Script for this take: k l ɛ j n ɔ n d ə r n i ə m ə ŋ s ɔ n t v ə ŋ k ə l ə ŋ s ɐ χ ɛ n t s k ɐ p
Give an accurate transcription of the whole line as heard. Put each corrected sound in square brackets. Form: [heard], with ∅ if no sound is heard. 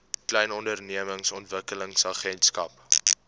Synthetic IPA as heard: k l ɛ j n ɔ n d ə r n i ə m ə ŋ s ɔ n t v ə [∅] k ə l ə ŋ s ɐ χ ɛ n t s k ɐ p

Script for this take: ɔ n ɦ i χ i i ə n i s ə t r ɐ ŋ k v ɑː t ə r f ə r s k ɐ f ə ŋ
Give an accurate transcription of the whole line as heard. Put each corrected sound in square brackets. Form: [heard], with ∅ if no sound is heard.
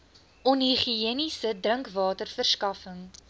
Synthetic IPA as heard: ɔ n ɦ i χ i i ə n i s ə [d] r [ə] ŋ k v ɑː t ə r f ə r s k ɐ f ə ŋ

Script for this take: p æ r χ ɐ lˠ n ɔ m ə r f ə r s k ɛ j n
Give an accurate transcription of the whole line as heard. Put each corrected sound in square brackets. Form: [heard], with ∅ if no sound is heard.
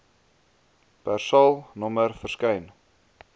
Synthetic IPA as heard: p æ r [s] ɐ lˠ n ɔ m ə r f ə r s k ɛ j n

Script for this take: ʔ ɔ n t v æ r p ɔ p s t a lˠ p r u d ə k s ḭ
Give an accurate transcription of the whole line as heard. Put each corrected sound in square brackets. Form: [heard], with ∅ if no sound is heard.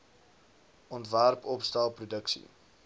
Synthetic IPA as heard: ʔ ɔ n t v æ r p ɔ p s t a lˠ p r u d ə k s ḭ

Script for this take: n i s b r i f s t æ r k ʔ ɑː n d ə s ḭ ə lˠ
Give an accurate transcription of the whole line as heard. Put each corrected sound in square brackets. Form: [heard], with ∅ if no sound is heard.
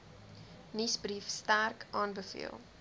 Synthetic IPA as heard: n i s b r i f s t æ r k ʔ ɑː n [b] ə [f] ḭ ə lˠ

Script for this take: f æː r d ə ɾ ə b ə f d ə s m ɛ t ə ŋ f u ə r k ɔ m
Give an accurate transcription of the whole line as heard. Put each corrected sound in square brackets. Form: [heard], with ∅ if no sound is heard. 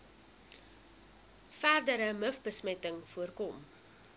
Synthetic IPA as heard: f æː r d ə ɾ ə [m] ə f [b] ə s m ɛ t ə ŋ f u ə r k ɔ m

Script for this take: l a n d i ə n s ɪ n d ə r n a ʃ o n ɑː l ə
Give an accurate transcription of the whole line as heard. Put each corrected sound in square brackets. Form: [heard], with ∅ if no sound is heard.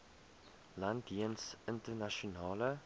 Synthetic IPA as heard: l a n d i ə n s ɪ n [t] ə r n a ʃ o n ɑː l ə

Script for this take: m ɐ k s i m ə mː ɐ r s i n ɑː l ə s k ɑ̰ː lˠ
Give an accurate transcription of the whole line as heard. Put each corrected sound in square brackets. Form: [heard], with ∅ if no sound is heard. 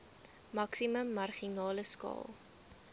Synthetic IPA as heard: m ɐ k s i m ə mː ɐ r [χ] i n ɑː l ə s k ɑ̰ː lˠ

